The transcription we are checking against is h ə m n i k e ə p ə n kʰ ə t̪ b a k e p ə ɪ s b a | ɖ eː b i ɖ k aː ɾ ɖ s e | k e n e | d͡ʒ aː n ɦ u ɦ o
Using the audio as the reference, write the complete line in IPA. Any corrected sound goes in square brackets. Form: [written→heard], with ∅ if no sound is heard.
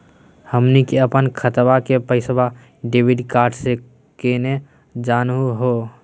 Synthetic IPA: h ə m n i k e ə p ə n kʰ ə t̪ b a k e p ə ɪ s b a | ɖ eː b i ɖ k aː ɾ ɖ s e | k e n e | d͡ʒ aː n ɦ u ɦ o